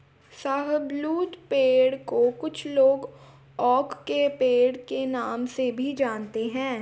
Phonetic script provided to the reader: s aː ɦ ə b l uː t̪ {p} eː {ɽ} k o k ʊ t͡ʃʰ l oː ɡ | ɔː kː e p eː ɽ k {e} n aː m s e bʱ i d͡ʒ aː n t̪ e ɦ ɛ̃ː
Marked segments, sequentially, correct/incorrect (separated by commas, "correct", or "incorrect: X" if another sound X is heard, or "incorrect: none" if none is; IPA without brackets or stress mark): correct, correct, correct